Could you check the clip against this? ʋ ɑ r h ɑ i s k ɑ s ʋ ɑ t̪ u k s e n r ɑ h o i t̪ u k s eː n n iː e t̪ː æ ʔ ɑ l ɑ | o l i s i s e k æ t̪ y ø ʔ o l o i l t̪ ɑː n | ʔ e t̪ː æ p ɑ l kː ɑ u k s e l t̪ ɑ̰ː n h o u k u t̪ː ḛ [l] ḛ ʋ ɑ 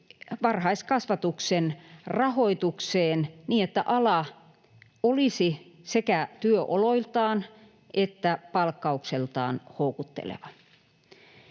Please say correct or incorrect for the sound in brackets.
correct